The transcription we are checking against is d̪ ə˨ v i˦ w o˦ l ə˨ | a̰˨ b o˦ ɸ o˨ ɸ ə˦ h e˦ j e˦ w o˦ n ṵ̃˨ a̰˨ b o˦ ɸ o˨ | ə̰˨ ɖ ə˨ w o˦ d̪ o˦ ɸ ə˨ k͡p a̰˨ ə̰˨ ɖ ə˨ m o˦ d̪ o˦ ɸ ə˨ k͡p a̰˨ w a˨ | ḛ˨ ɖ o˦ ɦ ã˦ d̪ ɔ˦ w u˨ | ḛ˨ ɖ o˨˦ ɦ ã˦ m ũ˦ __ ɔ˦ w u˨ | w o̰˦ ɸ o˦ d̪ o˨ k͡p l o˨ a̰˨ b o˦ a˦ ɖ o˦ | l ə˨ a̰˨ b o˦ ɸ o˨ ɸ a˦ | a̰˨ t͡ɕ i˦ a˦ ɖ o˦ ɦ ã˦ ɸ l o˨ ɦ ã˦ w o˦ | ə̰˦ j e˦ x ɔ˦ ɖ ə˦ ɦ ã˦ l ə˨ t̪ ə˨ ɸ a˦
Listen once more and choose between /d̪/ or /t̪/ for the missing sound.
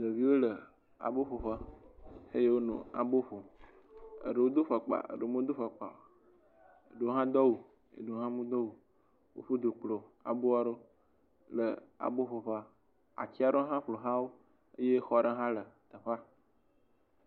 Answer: d̪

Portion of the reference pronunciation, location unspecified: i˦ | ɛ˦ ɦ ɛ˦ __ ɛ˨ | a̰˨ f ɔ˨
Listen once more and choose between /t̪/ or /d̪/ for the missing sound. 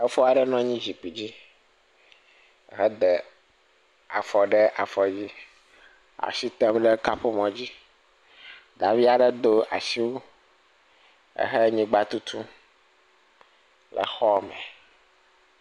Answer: d̪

